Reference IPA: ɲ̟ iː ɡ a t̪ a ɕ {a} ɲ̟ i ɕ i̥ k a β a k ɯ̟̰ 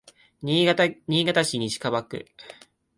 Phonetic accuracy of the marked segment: incorrect: i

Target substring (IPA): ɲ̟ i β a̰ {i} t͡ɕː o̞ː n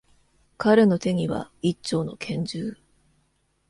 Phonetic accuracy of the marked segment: correct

